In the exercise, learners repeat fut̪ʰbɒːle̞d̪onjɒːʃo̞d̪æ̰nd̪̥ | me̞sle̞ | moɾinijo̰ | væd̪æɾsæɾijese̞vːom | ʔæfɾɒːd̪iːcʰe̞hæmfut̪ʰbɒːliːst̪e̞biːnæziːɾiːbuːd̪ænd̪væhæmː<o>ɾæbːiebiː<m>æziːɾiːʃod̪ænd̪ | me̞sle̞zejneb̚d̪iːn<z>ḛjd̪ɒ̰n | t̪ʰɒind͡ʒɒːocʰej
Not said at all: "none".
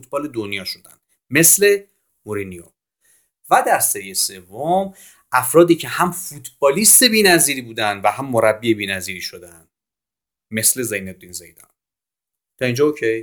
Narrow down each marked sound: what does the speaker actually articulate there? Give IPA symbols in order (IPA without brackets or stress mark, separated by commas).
o, n, z